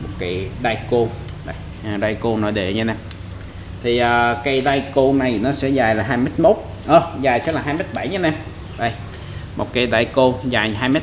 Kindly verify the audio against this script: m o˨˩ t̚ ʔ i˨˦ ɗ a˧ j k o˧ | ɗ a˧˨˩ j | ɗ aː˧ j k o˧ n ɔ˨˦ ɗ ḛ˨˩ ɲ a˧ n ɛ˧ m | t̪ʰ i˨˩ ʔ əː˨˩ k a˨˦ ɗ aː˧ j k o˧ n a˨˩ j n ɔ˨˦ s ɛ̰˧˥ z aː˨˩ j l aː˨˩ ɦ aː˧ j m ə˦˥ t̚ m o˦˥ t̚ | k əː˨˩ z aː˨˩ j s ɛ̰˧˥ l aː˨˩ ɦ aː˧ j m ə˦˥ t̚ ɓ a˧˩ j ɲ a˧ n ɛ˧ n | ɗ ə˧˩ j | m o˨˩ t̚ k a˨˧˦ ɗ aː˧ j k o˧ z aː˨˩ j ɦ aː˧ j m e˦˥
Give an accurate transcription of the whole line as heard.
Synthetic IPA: m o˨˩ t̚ k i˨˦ ɗ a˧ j k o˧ | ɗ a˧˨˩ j | ɗ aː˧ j k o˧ n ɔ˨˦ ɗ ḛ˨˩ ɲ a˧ n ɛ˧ m | t̪ʰ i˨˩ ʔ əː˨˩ k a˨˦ ɗ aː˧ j k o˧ n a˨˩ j n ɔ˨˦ s ɛ̰˧˥ z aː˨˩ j l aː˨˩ ɦ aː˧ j m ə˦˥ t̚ m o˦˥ t̚ | ʔ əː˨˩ z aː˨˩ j s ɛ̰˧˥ l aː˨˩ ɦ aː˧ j m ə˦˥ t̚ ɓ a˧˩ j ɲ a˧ n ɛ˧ m | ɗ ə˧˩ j | m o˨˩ t̚ k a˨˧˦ ɗ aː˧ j k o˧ z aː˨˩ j ɦ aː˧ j m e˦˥